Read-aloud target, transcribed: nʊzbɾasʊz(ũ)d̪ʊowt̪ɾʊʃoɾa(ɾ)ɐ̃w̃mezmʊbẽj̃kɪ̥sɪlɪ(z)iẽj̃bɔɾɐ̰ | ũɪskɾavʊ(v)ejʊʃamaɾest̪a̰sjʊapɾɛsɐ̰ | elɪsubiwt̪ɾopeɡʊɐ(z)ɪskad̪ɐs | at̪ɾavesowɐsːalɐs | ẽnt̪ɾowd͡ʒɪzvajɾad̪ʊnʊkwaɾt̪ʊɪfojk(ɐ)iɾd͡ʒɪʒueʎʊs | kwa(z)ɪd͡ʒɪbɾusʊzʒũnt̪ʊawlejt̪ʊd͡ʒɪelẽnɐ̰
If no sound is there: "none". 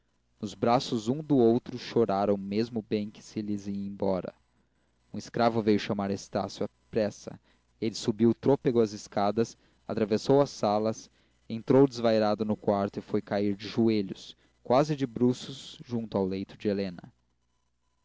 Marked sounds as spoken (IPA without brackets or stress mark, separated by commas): ũ, ɾ, z, v, z, a, z